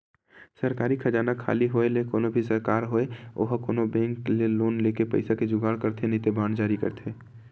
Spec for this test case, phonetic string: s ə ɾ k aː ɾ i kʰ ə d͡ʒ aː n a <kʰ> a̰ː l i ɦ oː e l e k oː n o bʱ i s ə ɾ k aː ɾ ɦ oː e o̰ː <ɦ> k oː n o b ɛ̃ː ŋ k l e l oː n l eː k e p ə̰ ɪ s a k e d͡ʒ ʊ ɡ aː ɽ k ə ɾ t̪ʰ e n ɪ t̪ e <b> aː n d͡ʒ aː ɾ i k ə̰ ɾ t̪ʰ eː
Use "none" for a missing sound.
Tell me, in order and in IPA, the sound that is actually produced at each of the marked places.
kʰ, ɦ, b

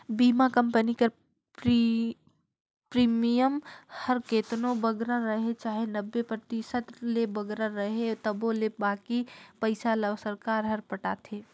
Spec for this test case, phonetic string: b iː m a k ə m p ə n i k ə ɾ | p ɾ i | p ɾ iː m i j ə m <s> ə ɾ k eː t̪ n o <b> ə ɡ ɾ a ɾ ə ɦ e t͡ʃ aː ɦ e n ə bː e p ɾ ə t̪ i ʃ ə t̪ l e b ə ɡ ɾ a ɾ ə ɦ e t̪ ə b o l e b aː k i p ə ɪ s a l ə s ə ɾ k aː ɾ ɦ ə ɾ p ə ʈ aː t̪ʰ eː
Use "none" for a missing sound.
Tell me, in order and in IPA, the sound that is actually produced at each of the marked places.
h, b

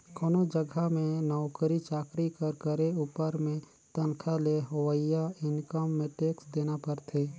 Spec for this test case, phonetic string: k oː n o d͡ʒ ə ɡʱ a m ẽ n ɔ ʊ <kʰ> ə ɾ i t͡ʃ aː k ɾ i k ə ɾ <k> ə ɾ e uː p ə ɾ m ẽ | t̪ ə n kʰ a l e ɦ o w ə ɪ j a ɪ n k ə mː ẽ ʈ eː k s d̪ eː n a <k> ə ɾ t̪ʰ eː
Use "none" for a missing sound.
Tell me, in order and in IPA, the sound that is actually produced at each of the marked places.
k, k, p

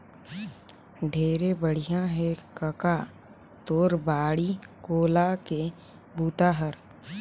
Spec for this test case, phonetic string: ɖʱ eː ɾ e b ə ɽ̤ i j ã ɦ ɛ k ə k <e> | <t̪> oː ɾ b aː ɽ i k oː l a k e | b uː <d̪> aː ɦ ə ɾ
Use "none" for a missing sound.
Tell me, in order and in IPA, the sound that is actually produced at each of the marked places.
a, t̪, t̪

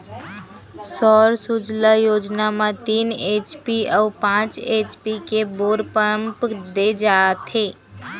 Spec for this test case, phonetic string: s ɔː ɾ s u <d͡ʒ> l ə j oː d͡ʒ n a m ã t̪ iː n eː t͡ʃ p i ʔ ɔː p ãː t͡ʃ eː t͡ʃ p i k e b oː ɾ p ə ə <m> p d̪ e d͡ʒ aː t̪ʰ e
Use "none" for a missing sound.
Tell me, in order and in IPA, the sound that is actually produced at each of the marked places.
d͡ʒ, m

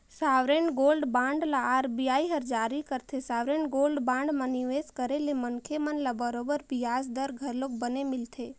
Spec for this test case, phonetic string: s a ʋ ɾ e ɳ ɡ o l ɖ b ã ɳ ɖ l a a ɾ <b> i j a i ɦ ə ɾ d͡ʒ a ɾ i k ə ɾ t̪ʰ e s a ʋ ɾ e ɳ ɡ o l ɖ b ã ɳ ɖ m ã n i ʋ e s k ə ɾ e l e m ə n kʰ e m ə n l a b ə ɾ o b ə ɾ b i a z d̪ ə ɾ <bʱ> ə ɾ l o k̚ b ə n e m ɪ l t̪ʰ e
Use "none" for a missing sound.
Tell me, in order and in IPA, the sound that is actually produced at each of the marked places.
b, ɡʱ

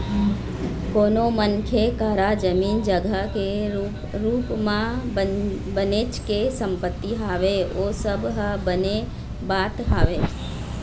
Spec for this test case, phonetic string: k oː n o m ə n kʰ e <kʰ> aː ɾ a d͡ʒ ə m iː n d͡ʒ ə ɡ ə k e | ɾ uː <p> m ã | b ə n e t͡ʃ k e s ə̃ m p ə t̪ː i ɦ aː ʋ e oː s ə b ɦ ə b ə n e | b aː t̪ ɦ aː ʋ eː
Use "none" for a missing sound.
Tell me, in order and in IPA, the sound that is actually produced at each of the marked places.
k, p

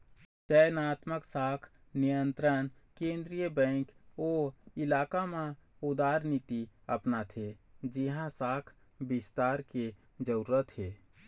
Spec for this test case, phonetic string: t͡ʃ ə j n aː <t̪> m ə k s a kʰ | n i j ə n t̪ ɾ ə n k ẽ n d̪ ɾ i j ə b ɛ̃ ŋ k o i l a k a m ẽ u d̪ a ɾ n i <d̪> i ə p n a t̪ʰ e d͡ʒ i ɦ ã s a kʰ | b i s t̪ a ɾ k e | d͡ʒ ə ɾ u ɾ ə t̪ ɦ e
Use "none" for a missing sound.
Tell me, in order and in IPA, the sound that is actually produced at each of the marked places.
t̪, t̪

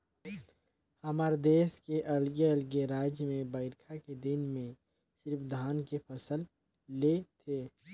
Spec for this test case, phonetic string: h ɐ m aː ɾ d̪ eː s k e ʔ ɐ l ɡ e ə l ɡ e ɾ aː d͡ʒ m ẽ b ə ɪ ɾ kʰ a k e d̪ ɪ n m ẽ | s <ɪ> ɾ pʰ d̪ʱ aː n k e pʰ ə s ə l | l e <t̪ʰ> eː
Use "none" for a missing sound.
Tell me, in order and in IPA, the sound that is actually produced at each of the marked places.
ɪ, t̪ʰ

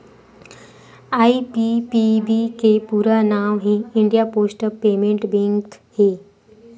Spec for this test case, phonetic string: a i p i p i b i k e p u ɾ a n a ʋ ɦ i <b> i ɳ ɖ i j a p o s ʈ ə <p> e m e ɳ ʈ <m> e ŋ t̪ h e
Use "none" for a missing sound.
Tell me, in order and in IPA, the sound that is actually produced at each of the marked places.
none, p, b

